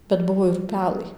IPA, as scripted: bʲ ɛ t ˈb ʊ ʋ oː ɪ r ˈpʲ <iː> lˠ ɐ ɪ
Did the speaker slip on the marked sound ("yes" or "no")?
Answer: yes